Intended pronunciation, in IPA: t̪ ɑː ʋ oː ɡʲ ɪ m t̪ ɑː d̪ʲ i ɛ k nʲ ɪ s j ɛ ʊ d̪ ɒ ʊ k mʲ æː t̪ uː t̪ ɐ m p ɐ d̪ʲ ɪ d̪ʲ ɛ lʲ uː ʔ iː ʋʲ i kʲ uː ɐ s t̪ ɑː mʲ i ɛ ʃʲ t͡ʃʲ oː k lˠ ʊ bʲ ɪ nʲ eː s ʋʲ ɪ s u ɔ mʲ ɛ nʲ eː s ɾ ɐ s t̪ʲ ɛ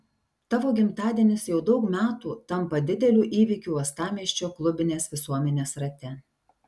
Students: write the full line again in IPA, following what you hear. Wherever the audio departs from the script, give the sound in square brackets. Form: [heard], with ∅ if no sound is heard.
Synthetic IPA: t̪ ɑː ʋ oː ɡʲ ɪ m t̪ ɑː d̪ʲ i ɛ [∅] nʲ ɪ s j ɛ ʊ d̪ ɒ ʊ k mʲ æː t̪ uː t̪ ɐ m p ɐ d̪ʲ ɪ d̪ʲ ɛ lʲ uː ʔ iː ʋʲ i kʲ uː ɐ s t̪ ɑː mʲ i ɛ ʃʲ t͡ʃʲ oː k lˠ ʊ bʲ ɪ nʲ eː s ʋʲ ɪ s u ɔ mʲ ɛ nʲ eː s ɾ ɐ [∅] t̪ʲ ɛ

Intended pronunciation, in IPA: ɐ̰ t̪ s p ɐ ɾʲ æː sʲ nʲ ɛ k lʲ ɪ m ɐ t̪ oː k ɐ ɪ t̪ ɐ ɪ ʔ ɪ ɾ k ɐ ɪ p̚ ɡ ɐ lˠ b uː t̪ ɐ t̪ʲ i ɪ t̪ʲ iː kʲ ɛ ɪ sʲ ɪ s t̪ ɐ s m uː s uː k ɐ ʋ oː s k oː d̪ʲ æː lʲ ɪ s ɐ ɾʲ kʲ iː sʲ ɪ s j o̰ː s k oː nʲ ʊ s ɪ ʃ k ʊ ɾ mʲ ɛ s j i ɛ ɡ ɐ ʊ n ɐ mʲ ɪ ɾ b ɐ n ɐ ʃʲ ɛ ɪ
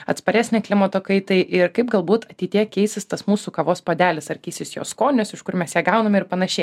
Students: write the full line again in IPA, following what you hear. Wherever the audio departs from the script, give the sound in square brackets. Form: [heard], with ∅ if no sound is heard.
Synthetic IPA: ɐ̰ t̪ s p ɐ ɾʲ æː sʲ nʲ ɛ k lʲ ɪ m ɐ t̪ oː k ɐ ɪ t̪ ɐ ɪ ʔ ɪ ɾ k ɐ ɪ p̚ ɡ ɐ lˠ b uː t̪ ɐ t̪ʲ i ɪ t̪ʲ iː kʲ ɛ ɪ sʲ ɪ s t̪ ɐ s m uː s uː k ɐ ʋ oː s [p] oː d̪ʲ æː lʲ ɪ s ɐ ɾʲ kʲ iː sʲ ɪ s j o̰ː s k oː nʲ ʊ s ɪ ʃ k ʊ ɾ mʲ ɛ s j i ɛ ɡ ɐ ʊ n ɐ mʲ ɪ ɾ [p] ɐ n ɐ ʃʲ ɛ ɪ

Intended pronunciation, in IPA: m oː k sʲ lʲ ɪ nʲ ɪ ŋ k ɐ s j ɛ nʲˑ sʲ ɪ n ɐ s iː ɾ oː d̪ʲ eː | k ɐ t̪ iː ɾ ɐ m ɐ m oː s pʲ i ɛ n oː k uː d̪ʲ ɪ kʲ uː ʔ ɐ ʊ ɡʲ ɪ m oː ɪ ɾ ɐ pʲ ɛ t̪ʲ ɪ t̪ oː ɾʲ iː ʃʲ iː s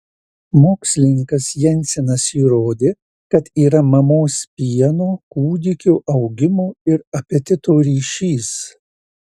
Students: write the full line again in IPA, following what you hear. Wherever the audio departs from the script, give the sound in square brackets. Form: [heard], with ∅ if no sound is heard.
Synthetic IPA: m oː k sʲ lʲ ɪ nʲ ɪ ŋ k ɐ s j ɛ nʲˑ sʲ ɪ n ɐ s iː ɾ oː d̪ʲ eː | k ɐ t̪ iː ɾ ɐ m ɐ m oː s pʲ i ɛ n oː k uː d̪ʲ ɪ kʲ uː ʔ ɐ ʊ ɡʲ ɪ m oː ɪ ɾ ɐ pʲ ɛ t̪ʲ ɪ t̪ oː ɾʲ iː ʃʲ iː s

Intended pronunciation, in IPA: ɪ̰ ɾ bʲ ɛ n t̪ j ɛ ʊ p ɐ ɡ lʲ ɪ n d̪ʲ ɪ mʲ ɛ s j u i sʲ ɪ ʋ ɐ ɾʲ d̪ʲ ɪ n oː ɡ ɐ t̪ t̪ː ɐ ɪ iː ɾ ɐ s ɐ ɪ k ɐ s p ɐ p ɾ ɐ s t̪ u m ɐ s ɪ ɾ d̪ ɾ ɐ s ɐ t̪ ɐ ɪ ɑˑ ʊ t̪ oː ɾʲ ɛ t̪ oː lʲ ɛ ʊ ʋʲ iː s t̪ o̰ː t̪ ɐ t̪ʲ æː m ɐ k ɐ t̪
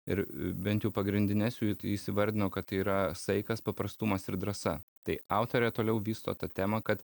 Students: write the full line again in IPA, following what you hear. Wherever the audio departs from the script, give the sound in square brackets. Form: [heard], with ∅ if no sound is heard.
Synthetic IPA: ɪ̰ ɾ bʲ ɛ n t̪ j ɛ ʊ p ɐ ɡ [ɾʲ] ɪ n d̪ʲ ɪ [nʲ] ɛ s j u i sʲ ɪ ʋ ɐ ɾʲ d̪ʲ ɪ n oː [k] ɐ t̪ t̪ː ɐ ɪ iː ɾ ɐ s ɐ ɪ k ɐ s p ɐ p ɾ ɐ s t̪ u m ɐ s ɪ ɾ d̪ ɾ ɐ s ɐ t̪ ɐ ɪ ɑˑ ʊ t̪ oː ɾʲ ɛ t̪ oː lʲ ɛ ʊ ʋʲ iː s t̪ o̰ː t̪ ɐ t̪ʲ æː m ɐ k ɐ t̪

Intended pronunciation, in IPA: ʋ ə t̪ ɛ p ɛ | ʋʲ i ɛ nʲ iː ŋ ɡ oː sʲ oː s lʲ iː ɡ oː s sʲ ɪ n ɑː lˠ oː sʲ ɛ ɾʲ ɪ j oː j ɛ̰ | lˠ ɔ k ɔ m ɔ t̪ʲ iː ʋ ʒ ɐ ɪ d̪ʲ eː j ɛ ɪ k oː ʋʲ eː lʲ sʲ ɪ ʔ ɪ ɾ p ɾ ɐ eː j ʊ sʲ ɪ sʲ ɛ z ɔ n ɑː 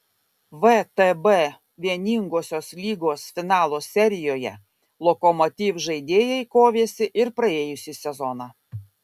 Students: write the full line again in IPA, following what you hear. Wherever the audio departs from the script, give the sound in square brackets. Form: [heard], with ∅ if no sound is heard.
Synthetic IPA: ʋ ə t̪ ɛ [b] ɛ | ʋʲ i ɛ nʲ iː ŋ ɡ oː sʲ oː s lʲ iː ɡ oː s [fʲ] ɪ n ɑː lˠ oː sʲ ɛ ɾʲ ɪ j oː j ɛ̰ | lˠ ɔ k ɔ m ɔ t̪ʲ iː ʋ ʒ ɐ ɪ d̪ʲ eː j ɛ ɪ k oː ʋʲ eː [∅] sʲ ɪ ʔ ɪ ɾ p ɾ ɐ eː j ʊ sʲ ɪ sʲ ɛ z ɔ n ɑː

